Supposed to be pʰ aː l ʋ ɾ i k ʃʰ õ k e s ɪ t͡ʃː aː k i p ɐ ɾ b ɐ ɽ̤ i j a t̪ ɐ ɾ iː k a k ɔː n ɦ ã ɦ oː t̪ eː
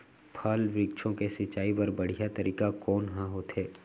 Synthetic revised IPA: pʰ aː l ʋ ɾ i k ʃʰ õ k e s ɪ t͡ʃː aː i p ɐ ɾ b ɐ ɽ̤ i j a t̪ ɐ ɾ iː k a k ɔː n ɦ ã ɦ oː t̪ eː